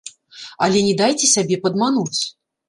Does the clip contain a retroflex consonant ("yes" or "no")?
no